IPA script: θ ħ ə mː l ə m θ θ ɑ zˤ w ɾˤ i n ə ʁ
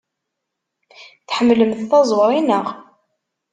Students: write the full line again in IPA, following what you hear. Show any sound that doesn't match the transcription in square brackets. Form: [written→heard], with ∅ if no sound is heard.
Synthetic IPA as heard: θ ħ ə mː l ə m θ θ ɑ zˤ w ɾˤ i n ə ʁ